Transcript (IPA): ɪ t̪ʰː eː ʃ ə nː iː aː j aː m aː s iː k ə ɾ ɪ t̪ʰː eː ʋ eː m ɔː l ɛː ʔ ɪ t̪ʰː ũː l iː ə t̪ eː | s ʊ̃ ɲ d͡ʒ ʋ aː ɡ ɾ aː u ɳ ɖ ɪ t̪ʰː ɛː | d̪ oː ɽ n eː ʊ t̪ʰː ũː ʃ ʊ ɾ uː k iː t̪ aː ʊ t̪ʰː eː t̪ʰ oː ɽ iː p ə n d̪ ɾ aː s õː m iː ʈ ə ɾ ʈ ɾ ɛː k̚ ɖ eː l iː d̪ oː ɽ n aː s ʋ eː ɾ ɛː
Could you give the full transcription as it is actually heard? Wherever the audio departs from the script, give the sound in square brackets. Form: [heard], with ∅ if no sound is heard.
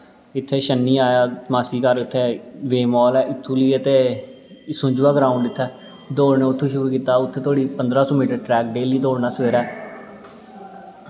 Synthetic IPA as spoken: ɪ t̪ʰː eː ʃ ə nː iː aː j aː m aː s iː k ə ɾ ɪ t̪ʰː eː ʋ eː m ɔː l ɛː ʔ ɪ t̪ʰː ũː l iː ə t̪ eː | s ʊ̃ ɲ d͡ʒ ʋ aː ɡ ɾ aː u ɳ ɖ ɪ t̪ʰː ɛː | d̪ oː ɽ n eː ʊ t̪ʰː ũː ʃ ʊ ɾ uː k iː t̪ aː ʊ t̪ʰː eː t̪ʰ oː ɽ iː p ə n d̪ ɾ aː s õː m iː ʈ ə ɾ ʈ ɾ ɛː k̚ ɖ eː l iː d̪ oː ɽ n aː s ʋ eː ɾ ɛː